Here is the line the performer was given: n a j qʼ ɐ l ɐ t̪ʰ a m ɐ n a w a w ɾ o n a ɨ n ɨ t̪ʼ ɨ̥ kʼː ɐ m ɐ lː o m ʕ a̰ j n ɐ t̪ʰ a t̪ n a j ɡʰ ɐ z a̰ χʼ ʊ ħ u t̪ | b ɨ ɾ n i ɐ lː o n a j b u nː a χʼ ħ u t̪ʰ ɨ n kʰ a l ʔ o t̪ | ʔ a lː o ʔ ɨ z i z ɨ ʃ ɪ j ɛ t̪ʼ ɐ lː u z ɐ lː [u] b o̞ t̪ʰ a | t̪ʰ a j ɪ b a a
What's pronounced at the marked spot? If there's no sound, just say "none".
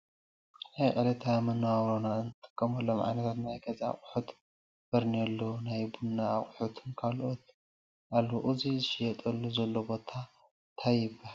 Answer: o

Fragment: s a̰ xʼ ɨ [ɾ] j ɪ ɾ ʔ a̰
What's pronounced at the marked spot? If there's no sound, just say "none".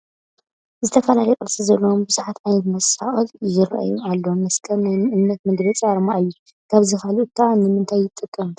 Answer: l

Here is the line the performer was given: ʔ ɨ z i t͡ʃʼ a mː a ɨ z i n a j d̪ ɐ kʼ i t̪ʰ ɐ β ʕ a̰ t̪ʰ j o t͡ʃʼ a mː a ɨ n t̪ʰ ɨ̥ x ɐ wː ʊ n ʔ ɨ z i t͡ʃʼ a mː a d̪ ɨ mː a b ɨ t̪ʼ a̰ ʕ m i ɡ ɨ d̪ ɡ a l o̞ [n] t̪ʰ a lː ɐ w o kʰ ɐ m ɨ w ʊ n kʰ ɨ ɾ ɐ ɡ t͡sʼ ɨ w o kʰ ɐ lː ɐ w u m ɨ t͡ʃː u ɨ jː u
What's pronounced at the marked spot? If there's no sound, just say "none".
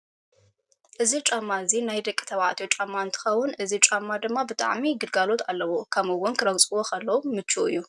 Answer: none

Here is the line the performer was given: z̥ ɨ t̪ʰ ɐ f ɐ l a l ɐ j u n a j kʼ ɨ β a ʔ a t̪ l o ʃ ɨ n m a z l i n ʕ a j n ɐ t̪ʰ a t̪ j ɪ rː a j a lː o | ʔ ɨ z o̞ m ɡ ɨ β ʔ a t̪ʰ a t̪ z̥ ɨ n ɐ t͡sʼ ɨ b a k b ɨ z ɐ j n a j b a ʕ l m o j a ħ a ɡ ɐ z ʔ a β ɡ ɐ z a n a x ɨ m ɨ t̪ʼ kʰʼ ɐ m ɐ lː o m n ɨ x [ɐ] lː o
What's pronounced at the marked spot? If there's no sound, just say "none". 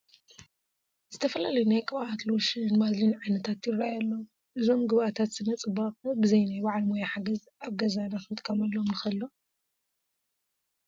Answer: ɐ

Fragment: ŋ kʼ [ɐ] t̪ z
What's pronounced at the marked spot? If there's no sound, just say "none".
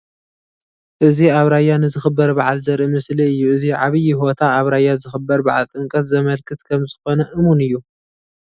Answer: ɐ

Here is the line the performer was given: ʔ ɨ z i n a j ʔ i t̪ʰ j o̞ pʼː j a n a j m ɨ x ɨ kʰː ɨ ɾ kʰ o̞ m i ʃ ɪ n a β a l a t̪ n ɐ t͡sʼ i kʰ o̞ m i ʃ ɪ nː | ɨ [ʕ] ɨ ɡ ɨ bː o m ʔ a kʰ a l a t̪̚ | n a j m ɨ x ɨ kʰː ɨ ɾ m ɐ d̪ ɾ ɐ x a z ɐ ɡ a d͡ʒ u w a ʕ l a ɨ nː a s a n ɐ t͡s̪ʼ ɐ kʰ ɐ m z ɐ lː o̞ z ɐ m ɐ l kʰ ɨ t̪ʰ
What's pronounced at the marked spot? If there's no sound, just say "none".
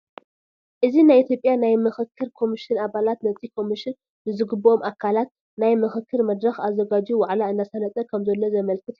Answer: z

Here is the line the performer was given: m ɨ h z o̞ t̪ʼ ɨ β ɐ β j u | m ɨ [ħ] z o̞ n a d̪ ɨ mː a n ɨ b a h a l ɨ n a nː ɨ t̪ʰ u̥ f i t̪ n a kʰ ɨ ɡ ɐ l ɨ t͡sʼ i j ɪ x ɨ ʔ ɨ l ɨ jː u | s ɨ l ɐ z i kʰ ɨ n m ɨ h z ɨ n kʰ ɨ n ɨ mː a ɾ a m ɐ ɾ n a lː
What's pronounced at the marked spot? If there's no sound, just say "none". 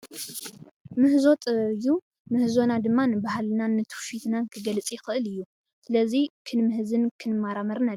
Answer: h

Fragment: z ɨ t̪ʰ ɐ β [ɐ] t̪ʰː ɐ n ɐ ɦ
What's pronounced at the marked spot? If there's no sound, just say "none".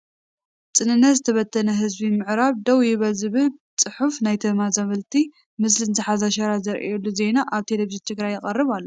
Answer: ɐ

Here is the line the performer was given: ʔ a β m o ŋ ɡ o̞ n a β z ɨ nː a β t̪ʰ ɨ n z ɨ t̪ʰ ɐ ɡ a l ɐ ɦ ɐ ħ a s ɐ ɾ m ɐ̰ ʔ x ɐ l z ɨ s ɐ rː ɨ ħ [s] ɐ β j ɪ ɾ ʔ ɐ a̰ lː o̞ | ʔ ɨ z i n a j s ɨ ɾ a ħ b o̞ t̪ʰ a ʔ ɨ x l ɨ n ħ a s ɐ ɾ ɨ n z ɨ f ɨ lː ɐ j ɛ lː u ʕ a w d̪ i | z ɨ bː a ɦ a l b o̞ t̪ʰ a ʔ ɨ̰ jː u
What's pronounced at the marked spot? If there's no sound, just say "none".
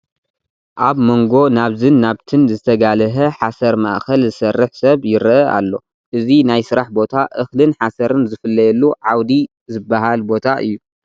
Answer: s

